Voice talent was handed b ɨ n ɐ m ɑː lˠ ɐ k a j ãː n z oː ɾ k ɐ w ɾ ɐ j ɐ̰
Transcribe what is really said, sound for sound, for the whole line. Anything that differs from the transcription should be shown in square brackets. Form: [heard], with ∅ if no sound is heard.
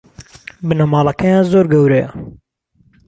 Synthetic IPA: b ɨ n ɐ m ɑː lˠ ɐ k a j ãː n z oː ɾ [ɡ] ɐ w ɾ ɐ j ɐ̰